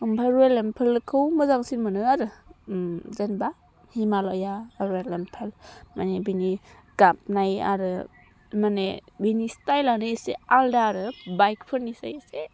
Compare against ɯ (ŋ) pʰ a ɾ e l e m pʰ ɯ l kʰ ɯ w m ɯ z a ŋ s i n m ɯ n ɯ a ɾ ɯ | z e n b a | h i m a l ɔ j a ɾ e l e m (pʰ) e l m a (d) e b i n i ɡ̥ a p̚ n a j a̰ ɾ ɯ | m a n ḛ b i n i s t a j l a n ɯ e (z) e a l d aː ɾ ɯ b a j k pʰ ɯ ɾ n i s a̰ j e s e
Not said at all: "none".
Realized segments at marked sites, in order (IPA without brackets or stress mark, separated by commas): m, pʰ, n, s